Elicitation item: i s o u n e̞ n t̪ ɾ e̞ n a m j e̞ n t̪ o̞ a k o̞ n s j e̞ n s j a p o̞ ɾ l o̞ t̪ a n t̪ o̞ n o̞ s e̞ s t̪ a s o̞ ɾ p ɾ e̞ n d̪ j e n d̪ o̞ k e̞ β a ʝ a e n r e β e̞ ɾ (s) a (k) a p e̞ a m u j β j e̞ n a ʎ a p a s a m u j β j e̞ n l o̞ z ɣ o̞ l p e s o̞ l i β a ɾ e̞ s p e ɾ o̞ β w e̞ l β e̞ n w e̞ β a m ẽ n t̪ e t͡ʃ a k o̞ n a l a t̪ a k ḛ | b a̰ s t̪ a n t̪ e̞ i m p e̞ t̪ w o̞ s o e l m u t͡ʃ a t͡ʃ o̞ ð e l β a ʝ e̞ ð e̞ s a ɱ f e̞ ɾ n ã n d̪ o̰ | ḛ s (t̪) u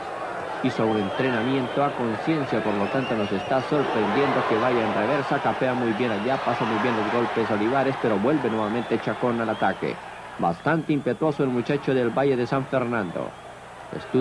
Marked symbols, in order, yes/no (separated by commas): yes, yes, yes